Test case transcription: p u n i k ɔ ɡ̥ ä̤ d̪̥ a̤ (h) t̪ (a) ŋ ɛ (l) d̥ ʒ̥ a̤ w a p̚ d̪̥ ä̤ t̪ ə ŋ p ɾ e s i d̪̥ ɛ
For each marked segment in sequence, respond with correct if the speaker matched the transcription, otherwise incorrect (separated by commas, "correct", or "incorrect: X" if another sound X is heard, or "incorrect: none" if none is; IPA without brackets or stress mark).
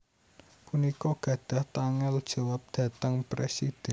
correct, correct, correct